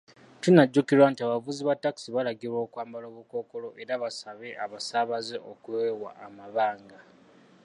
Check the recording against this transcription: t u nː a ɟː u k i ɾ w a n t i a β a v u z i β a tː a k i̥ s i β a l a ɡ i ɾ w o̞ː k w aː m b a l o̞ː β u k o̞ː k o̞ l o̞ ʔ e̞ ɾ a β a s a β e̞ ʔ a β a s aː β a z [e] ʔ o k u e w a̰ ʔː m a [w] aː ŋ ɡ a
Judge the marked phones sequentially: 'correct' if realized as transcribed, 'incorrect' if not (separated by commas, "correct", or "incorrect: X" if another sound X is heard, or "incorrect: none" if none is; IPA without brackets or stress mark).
correct, incorrect: β